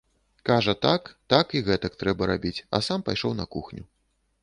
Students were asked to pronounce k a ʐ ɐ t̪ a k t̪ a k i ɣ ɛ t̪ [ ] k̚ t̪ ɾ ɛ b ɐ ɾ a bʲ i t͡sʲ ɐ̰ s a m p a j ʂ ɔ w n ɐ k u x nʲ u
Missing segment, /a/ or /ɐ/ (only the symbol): ɐ